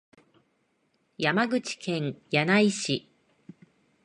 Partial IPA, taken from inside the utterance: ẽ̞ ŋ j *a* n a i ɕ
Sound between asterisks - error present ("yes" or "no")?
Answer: no